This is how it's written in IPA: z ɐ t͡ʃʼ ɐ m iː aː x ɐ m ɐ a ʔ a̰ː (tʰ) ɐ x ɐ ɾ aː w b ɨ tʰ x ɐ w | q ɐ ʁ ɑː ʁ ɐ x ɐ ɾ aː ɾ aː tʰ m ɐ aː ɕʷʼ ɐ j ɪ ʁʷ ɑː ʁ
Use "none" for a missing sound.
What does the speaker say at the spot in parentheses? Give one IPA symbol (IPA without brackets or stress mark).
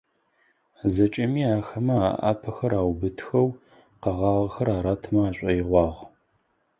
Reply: pʰ